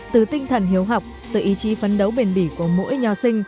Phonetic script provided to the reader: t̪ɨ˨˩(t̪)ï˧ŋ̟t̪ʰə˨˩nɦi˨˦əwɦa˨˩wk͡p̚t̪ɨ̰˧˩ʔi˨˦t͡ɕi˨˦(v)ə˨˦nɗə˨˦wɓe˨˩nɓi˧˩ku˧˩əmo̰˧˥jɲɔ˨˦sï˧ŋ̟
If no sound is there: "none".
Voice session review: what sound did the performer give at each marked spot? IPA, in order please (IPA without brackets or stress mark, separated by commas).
t̪, f